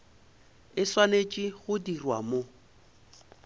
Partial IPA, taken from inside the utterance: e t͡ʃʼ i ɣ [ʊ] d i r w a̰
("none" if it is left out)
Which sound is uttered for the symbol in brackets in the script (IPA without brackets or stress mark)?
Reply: ʊ